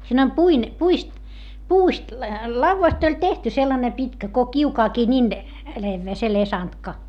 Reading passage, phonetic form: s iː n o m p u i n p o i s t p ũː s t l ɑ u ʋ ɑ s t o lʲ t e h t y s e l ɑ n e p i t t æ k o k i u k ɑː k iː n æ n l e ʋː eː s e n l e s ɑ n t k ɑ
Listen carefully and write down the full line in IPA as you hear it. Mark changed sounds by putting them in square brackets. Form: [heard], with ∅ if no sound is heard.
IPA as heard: s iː n o m p u i n p [u] i s t p [uː] s t l ɑ u [ʋː] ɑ s t o lʲ t e h t y s e [lː] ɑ n e p i t [k] æ k o k i u k ɑː k iː n [i] n l e ʋː eː s e [∅] l e s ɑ n t k ɑ